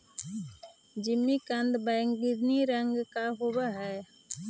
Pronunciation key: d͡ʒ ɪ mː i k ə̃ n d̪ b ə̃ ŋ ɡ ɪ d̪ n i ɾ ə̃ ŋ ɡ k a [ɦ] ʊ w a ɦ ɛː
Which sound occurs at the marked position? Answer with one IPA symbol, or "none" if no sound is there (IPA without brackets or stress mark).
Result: ɦ